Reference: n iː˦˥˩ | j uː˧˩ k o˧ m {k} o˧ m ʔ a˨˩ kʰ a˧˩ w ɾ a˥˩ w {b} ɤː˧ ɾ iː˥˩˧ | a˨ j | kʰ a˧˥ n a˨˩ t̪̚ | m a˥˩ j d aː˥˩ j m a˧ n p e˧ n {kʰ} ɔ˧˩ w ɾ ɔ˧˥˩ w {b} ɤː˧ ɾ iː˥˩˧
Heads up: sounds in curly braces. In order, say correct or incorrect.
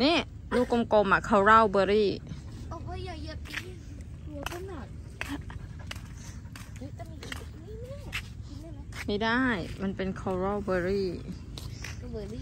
correct, correct, correct, correct

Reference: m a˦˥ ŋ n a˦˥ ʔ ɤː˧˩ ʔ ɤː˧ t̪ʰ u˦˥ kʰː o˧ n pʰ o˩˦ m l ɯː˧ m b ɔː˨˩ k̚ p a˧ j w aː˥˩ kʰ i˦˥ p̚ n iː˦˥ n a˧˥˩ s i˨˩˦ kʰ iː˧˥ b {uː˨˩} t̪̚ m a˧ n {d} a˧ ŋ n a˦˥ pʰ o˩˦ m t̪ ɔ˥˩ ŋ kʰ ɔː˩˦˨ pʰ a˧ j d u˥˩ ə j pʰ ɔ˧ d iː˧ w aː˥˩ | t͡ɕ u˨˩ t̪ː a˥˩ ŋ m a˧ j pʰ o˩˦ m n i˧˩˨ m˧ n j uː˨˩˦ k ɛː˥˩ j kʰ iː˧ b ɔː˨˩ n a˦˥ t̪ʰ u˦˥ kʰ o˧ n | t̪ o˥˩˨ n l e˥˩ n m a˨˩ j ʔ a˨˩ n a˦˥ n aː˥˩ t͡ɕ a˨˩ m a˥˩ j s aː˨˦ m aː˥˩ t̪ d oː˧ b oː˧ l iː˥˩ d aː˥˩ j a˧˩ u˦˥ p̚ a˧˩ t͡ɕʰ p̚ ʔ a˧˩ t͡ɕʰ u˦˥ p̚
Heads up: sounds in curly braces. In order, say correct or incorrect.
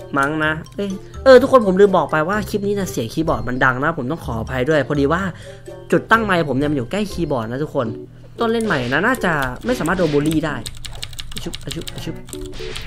incorrect, correct

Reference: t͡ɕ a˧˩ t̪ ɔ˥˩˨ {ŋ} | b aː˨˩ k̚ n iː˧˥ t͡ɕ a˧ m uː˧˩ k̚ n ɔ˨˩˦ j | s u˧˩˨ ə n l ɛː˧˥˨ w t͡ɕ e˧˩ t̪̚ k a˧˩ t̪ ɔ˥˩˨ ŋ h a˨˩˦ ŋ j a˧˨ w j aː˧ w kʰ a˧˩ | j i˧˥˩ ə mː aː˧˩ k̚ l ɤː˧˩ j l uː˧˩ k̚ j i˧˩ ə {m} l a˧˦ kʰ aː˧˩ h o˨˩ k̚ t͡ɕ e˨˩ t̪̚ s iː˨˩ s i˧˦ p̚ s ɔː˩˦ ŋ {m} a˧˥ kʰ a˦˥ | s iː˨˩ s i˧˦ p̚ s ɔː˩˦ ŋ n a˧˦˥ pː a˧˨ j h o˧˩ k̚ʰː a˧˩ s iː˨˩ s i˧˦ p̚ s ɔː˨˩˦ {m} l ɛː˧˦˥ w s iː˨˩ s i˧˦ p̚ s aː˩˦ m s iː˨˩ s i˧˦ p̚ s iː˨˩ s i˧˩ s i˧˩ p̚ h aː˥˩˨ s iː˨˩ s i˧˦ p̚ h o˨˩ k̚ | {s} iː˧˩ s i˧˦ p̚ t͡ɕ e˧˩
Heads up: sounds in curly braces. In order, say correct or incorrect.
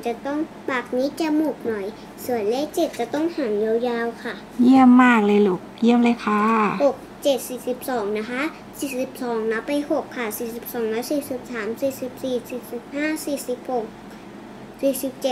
correct, correct, incorrect, incorrect, correct

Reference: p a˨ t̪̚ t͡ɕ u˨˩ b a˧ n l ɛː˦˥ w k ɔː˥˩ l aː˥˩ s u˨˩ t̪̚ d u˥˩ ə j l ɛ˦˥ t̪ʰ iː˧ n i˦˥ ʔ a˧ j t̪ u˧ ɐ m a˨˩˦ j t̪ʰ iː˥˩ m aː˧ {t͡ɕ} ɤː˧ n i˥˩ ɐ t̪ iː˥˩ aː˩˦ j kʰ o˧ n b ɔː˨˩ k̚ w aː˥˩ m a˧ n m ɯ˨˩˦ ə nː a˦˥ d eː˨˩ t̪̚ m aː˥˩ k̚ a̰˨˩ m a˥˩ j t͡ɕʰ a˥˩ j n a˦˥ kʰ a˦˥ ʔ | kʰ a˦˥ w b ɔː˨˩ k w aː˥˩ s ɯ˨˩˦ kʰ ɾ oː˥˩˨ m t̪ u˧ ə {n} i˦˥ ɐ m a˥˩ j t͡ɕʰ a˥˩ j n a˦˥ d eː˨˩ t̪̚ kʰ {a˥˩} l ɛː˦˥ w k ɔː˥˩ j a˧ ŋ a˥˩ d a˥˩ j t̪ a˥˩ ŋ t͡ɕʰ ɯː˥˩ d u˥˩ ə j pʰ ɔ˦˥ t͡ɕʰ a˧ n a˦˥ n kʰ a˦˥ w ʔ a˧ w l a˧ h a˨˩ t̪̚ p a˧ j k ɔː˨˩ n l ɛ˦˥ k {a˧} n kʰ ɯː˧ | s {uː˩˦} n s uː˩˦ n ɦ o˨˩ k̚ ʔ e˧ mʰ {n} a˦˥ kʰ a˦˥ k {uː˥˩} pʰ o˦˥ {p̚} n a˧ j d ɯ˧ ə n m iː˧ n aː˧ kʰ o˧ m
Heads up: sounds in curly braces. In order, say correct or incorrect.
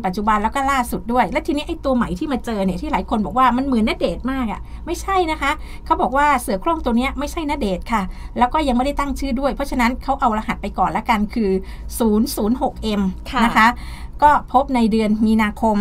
correct, correct, correct, correct, correct, correct, incorrect, correct

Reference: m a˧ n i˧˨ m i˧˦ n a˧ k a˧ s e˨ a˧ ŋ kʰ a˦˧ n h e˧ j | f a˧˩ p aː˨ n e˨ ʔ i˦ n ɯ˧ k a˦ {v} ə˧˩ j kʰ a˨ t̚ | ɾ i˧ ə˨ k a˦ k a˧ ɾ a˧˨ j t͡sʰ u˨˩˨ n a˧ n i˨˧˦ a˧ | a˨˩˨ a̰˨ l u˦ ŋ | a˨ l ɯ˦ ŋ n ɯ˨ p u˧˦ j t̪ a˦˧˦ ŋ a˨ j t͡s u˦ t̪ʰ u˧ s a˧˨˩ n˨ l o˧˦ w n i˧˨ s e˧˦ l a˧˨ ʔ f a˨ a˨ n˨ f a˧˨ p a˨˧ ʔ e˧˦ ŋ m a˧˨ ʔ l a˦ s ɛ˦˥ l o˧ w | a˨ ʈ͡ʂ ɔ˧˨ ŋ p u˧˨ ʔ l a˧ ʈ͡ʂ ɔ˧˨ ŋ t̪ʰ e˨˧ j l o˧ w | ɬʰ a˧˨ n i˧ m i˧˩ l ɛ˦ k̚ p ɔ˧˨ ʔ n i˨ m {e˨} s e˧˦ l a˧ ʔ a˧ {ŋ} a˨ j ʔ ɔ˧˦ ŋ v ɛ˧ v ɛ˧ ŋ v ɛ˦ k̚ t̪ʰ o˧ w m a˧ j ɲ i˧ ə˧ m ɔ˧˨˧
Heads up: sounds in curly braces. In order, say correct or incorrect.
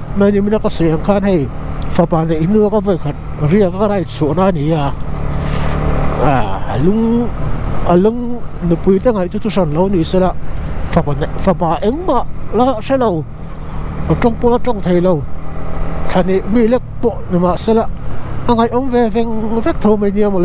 correct, incorrect, correct

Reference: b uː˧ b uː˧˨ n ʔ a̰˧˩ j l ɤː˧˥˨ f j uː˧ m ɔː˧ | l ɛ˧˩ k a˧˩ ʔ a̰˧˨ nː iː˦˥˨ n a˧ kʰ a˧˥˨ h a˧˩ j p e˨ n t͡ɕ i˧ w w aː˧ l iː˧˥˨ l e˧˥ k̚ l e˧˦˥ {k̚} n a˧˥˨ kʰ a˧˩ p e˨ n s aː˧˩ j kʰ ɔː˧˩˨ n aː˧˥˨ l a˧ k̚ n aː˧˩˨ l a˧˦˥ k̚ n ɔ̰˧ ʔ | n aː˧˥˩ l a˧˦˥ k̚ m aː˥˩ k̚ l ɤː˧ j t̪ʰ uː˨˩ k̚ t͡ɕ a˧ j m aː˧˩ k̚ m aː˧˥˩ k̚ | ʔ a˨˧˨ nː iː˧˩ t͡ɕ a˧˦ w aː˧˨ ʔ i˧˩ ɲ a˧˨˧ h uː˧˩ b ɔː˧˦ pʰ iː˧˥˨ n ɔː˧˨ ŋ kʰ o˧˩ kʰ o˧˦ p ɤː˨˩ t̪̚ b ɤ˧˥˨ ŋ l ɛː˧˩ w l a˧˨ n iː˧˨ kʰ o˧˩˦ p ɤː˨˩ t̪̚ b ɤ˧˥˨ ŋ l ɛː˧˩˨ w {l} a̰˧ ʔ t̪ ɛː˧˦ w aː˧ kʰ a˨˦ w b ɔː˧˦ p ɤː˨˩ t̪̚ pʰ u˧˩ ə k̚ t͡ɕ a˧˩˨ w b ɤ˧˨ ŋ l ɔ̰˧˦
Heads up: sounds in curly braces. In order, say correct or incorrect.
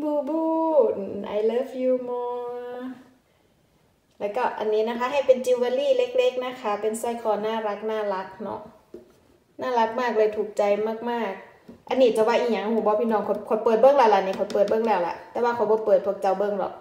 correct, correct

